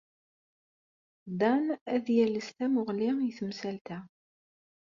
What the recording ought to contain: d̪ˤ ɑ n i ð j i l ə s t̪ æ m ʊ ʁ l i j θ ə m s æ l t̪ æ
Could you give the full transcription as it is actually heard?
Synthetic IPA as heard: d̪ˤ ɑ n æ ð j æ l ə s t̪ æ m ʊ ʁ l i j θ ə m s æ l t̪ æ